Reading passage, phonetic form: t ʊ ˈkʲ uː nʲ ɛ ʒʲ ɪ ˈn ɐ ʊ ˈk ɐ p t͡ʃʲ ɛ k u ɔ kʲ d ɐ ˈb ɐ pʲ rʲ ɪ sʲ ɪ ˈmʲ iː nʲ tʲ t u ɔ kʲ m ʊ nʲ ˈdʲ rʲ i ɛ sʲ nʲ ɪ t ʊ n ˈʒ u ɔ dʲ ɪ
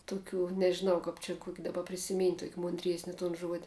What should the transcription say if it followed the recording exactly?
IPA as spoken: t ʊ ˈkʲ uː nʲ ɛ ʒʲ ɪ ˈn ɐ ʊ ˈk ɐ p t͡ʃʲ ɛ k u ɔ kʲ d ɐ ˈb ɐ pʲ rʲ ɪ sʲ ɪ ˈmʲ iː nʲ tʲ t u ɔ kʲ m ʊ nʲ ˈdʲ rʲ i ɛ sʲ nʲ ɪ t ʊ n ˈʒ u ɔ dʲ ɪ